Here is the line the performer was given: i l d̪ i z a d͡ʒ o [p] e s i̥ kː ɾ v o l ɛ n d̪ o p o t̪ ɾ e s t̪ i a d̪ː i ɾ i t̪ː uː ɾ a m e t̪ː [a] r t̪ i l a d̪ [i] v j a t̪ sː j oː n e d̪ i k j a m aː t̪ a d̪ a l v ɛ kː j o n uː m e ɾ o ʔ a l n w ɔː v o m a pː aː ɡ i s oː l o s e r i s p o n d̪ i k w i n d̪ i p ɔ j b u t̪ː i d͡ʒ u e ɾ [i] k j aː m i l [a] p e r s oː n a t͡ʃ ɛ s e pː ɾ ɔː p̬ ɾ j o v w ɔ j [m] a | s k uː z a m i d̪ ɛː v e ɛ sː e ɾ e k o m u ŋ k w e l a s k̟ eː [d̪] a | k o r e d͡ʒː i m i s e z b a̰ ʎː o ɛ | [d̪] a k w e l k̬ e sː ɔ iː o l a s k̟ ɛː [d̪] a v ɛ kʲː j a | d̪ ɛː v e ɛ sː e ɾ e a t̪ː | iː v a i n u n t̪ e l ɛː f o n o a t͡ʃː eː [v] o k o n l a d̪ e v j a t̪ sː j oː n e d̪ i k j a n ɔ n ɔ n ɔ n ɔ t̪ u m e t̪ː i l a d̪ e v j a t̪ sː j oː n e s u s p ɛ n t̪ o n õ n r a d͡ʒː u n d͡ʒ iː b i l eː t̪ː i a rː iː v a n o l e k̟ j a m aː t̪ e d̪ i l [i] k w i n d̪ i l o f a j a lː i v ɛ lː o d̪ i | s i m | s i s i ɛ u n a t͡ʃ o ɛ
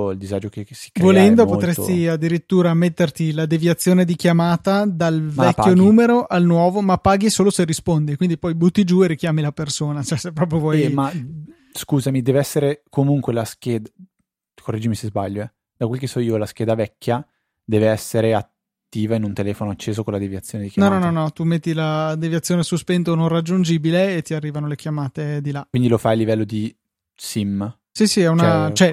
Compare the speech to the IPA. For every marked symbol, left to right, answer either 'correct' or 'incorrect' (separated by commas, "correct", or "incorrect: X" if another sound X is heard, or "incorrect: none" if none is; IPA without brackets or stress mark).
incorrect: k, incorrect: e, incorrect: e, correct, correct, correct, correct, correct, correct, incorrect: z, incorrect: a